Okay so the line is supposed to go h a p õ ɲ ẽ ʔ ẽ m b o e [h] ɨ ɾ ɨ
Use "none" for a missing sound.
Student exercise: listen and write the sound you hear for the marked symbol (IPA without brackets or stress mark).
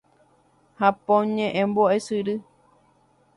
s